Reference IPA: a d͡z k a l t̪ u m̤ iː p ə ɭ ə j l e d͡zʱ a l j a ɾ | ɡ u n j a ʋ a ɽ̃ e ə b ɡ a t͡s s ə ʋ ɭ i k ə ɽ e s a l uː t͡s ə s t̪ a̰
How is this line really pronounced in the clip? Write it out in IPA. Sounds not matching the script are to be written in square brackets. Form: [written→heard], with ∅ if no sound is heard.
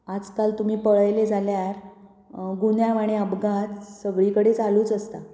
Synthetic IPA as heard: a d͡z k a l t̪ u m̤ iː p ə ɭ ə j l e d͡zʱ a l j a ɾ | ɡ u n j a ʋ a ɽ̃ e ə b ɡ a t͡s s ə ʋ ɭ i k ə ɽ e [s→t͡s] a l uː t͡s ə s t̪ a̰

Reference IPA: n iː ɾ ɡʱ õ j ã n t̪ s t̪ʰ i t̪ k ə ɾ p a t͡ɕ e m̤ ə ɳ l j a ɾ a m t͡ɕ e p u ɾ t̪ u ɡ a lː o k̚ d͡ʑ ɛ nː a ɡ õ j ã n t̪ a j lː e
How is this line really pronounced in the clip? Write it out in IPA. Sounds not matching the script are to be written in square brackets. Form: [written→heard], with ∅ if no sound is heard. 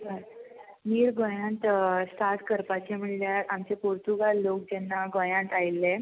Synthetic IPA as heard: n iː ɾ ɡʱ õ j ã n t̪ s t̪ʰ [i→a] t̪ k ə ɾ p a t͡ɕ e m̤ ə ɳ l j a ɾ a m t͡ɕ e p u ɾ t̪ u ɡ a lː o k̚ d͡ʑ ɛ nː a ɡ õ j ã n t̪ a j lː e

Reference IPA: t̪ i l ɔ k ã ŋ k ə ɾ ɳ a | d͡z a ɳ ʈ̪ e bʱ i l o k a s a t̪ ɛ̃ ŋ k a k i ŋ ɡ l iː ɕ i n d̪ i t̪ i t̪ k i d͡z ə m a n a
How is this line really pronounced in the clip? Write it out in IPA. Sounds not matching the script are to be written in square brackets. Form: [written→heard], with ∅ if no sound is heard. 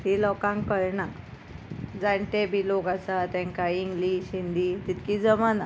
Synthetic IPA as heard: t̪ i l ɔ k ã ŋ k ə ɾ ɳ a | d͡z a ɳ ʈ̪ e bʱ i l o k a s a t̪ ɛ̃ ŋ k a [k→∅] i ŋ ɡ l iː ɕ i n d̪ i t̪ i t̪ k i d͡z ə m a n a

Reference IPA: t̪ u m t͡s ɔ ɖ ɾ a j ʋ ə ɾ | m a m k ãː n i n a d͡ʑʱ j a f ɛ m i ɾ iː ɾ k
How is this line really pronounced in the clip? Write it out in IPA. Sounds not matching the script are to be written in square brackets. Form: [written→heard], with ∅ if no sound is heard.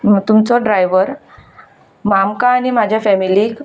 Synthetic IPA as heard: t̪ u m t͡s ɔ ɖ ɾ a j ʋ ə ɾ | m a m k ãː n i [n→m] a d͡ʑʱ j a f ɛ m i [ɾ→l] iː [ɾ→∅] k

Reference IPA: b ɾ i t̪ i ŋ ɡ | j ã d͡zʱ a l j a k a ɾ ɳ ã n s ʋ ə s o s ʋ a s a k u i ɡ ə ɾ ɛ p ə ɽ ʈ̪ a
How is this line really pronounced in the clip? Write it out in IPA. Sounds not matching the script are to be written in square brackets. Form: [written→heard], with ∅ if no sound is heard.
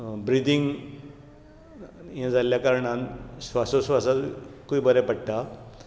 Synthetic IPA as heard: b ɾ i [t̪→d̪] i ŋ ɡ | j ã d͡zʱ a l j a k a ɾ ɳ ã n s ʋ [ə→a] s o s ʋ a s a k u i [ɡ→b] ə ɾ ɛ p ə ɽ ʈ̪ a

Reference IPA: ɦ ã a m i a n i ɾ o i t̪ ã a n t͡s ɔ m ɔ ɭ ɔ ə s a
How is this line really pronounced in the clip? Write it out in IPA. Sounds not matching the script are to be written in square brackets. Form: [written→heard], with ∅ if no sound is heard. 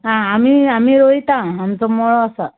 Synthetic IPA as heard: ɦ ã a m i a [n→m] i ɾ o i t̪ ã a [n→m] t͡s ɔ m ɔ ɭ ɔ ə s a

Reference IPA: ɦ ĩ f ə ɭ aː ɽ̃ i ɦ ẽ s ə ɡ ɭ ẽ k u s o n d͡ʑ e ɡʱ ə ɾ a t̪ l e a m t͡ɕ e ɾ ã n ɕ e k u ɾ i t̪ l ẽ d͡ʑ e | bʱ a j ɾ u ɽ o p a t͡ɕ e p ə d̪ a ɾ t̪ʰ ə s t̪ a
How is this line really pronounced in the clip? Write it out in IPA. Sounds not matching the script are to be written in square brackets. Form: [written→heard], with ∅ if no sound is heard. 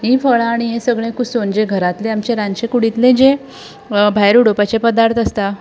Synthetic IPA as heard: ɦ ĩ f ə ɭ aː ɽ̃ i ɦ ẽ s ə ɡ ɭ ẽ k u s o n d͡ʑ e ɡʱ ə ɾ a t̪ l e a m t͡ɕ e ɾ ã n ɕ e k u [ɾ→ɽ] i t̪ l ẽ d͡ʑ e | bʱ a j ɾ u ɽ o p a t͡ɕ e p ə d̪ a ɾ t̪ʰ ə s t̪ a

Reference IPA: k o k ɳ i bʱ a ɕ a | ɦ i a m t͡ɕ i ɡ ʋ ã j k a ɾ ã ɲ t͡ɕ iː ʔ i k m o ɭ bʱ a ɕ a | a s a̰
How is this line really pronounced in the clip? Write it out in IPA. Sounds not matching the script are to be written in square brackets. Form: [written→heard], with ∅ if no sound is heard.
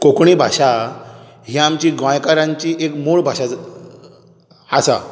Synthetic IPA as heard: k o k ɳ i bʱ a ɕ a | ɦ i a m t͡ɕ i ɡ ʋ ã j k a ɾ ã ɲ t͡ɕ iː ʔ [i→e] k m o ɭ bʱ a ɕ a | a s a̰

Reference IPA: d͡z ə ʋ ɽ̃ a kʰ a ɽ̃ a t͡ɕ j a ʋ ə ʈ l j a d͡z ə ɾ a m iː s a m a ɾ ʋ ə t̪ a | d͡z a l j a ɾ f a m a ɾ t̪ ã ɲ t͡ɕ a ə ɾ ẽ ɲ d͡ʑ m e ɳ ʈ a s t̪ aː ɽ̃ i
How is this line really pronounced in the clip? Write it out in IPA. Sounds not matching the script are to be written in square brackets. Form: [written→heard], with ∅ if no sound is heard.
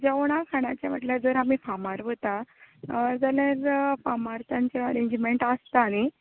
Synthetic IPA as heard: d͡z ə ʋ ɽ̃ a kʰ a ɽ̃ a t͡ɕ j a ʋ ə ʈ l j a d͡z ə ɾ a m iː [s→f] a m a ɾ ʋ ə t̪ a | d͡z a l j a ɾ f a m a ɾ t̪ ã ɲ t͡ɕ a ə ɾ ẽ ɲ d͡ʑ m e ɳ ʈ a s t̪ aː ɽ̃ i

